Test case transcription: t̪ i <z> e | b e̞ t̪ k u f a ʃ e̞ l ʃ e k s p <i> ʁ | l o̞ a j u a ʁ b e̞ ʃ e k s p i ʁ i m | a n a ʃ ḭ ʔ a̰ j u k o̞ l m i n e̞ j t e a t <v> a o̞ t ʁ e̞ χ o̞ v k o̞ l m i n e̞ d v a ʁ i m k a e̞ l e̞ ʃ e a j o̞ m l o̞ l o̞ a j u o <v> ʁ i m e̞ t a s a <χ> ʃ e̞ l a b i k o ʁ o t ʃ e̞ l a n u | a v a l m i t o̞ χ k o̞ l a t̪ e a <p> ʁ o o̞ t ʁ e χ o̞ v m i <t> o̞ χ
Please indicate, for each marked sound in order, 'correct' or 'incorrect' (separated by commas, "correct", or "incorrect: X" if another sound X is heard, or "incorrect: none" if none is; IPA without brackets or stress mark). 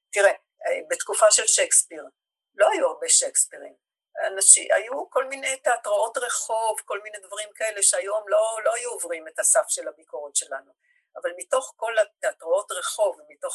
incorrect: ʁ, correct, incorrect: ʁ, correct, incorrect: f, incorrect: t, correct